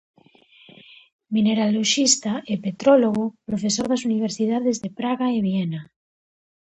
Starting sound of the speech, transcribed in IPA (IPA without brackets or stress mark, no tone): m